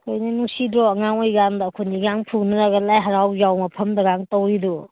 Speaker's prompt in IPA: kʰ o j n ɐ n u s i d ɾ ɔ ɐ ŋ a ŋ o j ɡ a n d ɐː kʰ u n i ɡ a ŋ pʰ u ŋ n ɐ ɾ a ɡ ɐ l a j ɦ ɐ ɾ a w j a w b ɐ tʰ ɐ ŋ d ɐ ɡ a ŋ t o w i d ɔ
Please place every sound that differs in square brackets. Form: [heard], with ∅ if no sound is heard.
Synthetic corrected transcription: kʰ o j n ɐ n u s i d ɾ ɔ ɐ ŋ a ŋ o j ɡ a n d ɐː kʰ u n i ɡ a ŋ pʰ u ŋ n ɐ ɾ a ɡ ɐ l a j ɦ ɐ ɾ a w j a w [m] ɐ [pʰ] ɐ [m] d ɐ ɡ a ŋ t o w i d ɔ